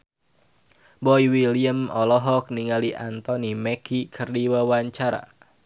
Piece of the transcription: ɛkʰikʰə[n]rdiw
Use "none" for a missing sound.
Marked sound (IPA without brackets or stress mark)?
none